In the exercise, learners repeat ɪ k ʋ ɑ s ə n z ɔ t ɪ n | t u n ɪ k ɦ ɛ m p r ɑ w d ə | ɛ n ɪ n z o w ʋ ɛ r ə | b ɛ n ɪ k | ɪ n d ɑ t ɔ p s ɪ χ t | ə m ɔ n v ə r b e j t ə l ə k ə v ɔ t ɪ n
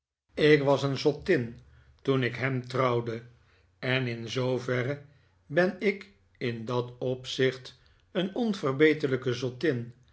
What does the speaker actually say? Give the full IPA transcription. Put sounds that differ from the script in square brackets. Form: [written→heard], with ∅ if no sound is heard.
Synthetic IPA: ɪ k ʋ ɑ s ə n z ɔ t ɪ n | t u n ɪ k ɦ ɛ m [p→t] r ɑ w d ə | ɛ n ɪ n z o w [ʋ→v] ɛ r ə | b ɛ n ɪ k | ɪ n d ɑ t ɔ p s ɪ χ t | ə [m→n] ɔ n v ə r b e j t ə l ə k ə [v→z] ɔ t ɪ n

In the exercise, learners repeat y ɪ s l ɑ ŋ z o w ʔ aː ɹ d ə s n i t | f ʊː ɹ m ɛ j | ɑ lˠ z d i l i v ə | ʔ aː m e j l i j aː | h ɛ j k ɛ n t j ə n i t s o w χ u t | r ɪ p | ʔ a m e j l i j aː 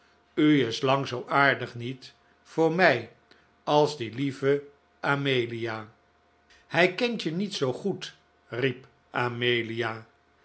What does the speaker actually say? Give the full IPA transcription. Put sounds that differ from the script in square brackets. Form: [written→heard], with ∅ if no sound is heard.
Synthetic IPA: y ɪ s l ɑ ŋ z o w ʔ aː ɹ d ə [s→χ] n i t | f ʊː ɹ m ɛ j | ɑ lˠ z d i l i v ə | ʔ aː m e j l i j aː | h ɛ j k ɛ n t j ə n i t s o w χ u t | r [ɪ→i] p | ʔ a m e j l i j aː

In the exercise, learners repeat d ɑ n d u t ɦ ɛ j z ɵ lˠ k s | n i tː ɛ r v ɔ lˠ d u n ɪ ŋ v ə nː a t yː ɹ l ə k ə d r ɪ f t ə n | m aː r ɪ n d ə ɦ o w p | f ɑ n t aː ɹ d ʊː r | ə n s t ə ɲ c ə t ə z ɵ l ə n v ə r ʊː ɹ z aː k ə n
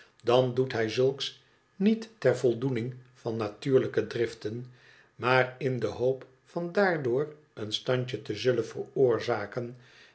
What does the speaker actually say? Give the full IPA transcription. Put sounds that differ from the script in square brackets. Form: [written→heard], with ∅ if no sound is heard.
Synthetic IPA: d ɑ n d u t ɦ ɛ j z ɵ lˠ k s | n i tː ɛ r v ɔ lˠ d u n ɪ ŋ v [ə→ɑ] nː a t yː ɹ l ə k ə d r ɪ f t ə n | m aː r ɪ n d ə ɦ o w p | f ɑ n [t→d] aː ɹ d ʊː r | ə n s t [ə→ɑ] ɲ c ə t ə z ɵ l ə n v ə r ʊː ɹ z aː k ə n

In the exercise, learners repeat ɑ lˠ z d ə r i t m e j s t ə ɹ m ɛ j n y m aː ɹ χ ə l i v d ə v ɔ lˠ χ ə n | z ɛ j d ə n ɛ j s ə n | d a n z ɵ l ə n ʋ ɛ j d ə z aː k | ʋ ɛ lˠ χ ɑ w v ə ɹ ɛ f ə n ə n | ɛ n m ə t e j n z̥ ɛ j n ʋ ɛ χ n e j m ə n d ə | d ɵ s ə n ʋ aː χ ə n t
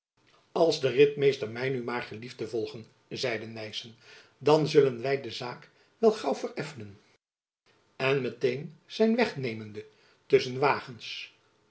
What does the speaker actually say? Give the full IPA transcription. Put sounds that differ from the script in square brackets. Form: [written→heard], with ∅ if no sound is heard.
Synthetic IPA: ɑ lˠ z d ə r [i→ɪ] t m e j s t ə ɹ m ɛ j n y m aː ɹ χ ə l i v d ə v ɔ lˠ χ ə n | z ɛ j d ə n ɛ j s ə n | d [a→ɑ] n z ɵ l ə n ʋ ɛ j d ə z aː k | ʋ ɛ lˠ χ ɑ w v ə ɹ ɛ f ə n ə n | ɛ n m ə t e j n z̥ ɛ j n ʋ ɛ χ n e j m ə n d ə | [d→t] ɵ s ə n ʋ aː χ ə n [t→s]

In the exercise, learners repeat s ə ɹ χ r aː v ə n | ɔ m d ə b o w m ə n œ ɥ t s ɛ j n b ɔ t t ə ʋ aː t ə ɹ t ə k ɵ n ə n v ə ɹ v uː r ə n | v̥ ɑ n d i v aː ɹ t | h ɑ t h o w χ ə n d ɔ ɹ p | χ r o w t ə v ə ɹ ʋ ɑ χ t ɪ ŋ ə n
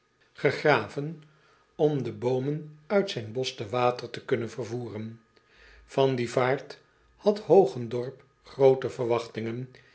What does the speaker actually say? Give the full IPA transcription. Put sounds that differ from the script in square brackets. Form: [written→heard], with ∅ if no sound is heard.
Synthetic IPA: [s→χ] ə [ɹ→∅] χ r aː v ə n | ɔ m d ə b o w m ə n œ ɥ t s ɛ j n b ɔ [t→s] t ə ʋ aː t ə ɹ t ə k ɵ n ə n v ə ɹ v uː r ə n | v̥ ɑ n d i v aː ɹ t | h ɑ t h o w χ ə n d ɔ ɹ p | χ r o w t ə v ə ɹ ʋ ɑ χ t ɪ ŋ ə n

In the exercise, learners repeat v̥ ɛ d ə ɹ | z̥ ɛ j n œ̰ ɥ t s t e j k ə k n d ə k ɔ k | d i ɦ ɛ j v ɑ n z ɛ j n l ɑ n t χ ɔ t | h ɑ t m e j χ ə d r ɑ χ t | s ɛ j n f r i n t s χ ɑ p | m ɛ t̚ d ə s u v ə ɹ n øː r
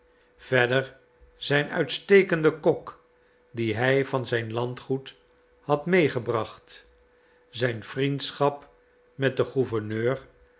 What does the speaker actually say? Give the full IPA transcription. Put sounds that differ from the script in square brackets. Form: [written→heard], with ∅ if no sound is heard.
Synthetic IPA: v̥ ɛ d ə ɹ | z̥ ɛ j n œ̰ ɥ t s t e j k ə [k→∅] n d ə k ɔ k | d i ɦ ɛ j v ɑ n z ɛ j n l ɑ n t χ [ɔ→u] t | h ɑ t m e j χ ə [d→b] r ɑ χ t | [s→z] ɛ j n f r i n t s χ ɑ p | m ɛ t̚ d ə [s→χ] u v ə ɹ n øː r

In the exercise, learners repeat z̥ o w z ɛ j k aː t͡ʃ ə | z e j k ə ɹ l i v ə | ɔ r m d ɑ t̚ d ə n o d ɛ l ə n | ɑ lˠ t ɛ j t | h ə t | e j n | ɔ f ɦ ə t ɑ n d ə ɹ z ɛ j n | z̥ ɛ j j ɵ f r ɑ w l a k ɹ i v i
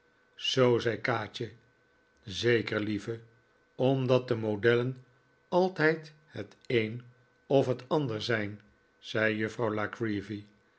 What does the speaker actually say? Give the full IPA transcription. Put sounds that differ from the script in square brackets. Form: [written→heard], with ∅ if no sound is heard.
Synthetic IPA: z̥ o w z ɛ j k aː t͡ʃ ə | z e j k ə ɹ l i v ə | ɔ [r→∅] m d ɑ t̚ d ə [n→m] o d ɛ l ə n | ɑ lˠ t ɛ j t | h ə t | e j n | ɔ f ɦ ə t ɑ n d ə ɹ z ɛ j n | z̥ ɛ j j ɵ f r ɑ w l a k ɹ i v i

